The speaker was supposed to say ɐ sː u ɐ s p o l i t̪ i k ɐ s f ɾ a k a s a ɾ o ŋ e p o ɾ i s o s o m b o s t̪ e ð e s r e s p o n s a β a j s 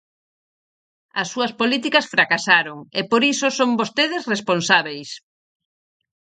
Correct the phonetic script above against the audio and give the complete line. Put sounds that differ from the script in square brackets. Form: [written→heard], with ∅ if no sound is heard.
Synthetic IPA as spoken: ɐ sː u ɐ s p o l i t̪ i k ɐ s f ɾ a k a s a ɾ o ŋ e p o ɾ i s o s o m b o s t̪ e ð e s r e s p o n s a β [a→e] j s